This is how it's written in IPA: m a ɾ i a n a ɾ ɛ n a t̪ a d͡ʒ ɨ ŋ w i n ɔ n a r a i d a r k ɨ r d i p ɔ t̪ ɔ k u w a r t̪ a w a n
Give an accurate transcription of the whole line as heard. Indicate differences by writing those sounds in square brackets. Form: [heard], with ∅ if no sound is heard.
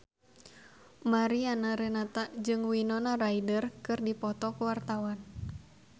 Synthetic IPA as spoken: m a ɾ i a n a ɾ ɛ n a t̪ a d͡ʒ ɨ ŋ w i n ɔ n a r a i d [ə] r k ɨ r d i p ɔ t̪ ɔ k u w a r t̪ a w a n